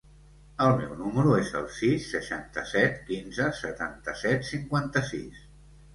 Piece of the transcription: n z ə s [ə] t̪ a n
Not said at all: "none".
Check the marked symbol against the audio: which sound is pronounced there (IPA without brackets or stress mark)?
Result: ə